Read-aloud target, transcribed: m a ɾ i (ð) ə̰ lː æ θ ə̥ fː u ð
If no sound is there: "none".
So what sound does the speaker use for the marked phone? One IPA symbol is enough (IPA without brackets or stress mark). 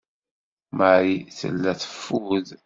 θ